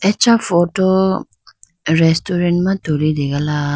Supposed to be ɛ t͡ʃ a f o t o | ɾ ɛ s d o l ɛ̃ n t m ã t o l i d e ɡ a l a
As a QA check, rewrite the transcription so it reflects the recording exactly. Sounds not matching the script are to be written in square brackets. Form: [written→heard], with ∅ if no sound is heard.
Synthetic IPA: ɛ t͡ʃ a f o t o | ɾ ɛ s [d→t] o [l→ɾ] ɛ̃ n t m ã t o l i d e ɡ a l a